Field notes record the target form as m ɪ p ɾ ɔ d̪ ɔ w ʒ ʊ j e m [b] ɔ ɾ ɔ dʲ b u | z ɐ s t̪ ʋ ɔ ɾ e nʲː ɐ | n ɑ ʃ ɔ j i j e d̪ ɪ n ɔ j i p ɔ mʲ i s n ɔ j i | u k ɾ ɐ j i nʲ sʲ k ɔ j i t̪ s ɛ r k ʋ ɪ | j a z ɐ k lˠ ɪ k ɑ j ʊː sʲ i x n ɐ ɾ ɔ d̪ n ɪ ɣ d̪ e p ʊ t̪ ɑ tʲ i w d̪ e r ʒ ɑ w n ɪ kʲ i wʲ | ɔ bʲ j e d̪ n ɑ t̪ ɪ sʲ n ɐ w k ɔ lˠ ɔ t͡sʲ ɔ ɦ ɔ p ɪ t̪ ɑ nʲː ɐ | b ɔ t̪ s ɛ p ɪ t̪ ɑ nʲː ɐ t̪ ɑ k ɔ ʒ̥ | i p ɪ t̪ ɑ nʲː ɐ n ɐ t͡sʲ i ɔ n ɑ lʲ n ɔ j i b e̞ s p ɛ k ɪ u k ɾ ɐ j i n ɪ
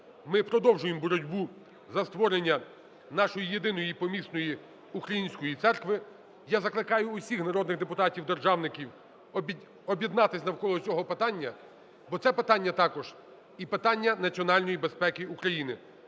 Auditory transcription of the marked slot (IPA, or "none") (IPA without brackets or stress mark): b